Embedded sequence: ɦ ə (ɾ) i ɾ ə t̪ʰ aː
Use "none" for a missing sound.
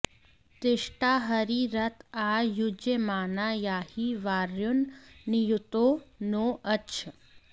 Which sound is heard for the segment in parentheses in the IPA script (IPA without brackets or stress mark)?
ɾ